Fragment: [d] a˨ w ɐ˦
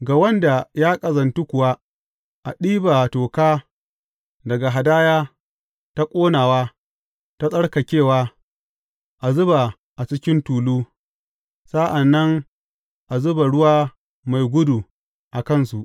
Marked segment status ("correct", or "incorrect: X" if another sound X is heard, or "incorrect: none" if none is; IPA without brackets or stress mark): incorrect: ɡ